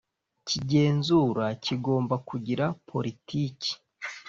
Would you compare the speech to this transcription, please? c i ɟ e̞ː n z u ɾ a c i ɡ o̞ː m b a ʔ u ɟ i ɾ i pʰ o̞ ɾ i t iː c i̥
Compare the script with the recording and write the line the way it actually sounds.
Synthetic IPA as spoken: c i ɟ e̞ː n z u ɾ a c i ɡ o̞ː m b a k u ɟ i ɾ a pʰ o̞ ɾ i t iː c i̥